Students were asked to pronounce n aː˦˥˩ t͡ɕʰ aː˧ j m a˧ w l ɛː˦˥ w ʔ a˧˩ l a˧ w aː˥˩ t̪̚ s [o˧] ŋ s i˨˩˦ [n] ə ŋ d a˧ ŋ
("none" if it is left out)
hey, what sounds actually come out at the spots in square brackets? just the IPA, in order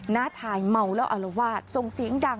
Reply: o˧, none

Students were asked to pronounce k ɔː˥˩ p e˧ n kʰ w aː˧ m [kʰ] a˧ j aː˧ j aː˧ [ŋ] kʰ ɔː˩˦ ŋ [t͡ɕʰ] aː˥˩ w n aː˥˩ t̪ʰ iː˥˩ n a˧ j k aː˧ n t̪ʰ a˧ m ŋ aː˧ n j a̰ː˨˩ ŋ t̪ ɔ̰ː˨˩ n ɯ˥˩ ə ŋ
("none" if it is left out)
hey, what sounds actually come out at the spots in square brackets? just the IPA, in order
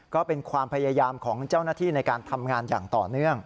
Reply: pʰ, m, t͡ɕ

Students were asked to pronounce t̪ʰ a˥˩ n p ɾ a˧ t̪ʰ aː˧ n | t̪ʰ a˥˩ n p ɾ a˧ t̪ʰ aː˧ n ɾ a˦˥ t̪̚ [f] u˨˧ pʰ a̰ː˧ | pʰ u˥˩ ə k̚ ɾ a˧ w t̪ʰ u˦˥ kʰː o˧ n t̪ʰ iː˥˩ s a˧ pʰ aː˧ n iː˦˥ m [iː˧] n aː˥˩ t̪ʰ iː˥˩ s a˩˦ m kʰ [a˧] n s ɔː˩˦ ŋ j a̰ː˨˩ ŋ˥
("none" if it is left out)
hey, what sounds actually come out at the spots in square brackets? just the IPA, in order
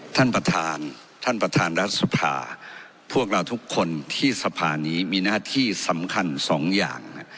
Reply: s, iː˧, a˧

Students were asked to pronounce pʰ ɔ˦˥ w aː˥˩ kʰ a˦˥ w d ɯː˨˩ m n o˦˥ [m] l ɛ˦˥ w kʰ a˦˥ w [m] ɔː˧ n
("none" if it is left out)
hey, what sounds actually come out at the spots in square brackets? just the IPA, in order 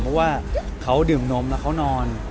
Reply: m, n

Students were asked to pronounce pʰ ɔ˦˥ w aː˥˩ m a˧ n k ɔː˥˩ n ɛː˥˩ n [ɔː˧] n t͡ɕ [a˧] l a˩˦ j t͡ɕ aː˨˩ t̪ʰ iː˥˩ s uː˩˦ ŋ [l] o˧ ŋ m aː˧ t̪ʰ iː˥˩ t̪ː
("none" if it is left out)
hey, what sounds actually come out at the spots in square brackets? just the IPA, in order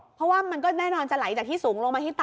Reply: ɔː˧, a˨˩, l

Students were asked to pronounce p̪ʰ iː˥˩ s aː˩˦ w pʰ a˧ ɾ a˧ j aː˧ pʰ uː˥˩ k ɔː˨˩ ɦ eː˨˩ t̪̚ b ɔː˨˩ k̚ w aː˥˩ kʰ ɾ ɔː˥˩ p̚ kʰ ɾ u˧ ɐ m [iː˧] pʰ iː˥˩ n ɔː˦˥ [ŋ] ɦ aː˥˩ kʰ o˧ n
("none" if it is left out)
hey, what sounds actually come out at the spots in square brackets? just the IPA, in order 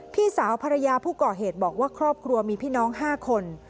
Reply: iː˧, ŋ

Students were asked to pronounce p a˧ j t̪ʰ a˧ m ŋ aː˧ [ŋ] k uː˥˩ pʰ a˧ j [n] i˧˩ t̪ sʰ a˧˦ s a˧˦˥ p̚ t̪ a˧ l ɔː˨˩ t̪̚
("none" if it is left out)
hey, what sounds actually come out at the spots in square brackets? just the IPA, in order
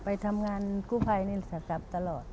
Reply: n, n

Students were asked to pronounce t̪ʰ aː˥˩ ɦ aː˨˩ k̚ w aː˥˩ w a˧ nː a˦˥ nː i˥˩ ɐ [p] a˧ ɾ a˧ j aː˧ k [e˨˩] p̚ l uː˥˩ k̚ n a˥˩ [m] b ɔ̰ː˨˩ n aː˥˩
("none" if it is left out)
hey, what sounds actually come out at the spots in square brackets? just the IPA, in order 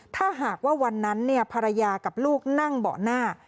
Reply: pʰ, a˨˩, ŋ

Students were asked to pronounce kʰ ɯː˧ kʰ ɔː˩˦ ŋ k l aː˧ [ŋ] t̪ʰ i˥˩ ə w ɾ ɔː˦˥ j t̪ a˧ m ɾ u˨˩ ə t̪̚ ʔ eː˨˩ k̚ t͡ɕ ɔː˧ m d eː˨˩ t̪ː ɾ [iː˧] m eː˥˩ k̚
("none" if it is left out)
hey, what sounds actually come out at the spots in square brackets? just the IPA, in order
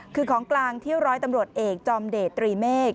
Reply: ŋ, iː˧

